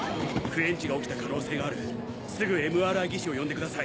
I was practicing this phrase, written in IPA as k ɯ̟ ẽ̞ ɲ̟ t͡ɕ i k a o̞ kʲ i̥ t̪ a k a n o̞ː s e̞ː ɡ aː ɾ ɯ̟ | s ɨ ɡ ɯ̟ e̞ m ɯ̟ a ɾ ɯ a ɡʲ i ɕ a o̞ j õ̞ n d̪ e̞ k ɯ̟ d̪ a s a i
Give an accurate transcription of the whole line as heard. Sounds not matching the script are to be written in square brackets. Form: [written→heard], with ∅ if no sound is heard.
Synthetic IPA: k ɯ̟ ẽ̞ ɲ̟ t͡ɕ i [k→ɡ] a o̞ kʲ i̥ t̪ a k a n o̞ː s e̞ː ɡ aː ɾ ɯ̟ | s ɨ ɡ ɯ̟ e̞ m ɯ̟ a ɾ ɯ a ɡʲ i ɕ [a→i] o̞ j õ̞ n d̪ e̞ k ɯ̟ d̪ a s a i